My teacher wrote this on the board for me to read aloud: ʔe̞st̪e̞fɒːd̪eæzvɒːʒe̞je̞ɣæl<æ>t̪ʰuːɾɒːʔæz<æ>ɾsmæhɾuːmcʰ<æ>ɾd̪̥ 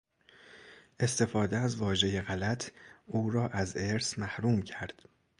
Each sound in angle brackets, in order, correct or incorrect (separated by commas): correct, incorrect, correct